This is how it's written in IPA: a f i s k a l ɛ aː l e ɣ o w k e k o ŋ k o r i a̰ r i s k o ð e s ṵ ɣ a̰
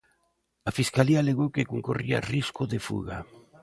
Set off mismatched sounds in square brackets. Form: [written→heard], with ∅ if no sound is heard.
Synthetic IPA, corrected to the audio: a f i s k a l [ɛ→i] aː l e ɣ o w k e k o ŋ k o r i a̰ r i s k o ð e [s→f] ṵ ɣ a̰